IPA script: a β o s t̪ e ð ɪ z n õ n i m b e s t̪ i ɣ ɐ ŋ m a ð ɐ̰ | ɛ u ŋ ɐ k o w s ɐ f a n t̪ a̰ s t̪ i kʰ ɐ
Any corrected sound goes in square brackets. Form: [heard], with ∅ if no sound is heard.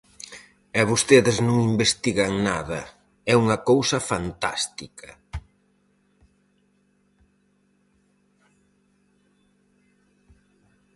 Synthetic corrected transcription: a β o s t̪ e ð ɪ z n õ [ŋ] i m b e s t̪ i ɣ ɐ ŋ [n] a ð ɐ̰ | ɛ u ŋ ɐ k o w s ɐ f a n t̪ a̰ s t̪ i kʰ ɐ